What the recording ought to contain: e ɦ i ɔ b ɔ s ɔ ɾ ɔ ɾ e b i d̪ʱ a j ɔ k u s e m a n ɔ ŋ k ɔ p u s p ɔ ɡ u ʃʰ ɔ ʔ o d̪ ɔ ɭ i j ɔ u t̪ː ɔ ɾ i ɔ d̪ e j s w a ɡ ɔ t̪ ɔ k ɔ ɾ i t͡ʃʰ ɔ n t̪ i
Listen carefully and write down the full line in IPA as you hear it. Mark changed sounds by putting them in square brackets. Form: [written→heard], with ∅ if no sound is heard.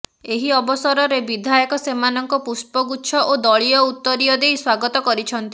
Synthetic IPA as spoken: e ɦ i ɔ b ɔ s ɔ ɾ ɔ ɾ e b i d̪ʱ a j ɔ k [u→ɔ] s e m a n ɔ ŋ k ɔ p u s p ɔ ɡ u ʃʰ ɔ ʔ o d̪ ɔ ɭ i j ɔ u t̪ː ɔ ɾ i ɔ d̪ e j s w a ɡ ɔ t̪ ɔ k ɔ ɾ i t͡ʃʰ ɔ n t̪ i